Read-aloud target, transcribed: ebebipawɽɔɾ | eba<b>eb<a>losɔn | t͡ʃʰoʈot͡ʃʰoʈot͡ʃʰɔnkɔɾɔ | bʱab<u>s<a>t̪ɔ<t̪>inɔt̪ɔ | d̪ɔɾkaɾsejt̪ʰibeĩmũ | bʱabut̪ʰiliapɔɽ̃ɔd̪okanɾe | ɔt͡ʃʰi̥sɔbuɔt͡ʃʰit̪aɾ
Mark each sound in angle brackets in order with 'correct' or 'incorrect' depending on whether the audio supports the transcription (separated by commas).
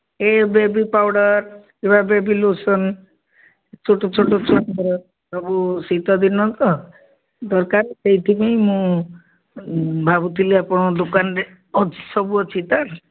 correct, incorrect, correct, incorrect, incorrect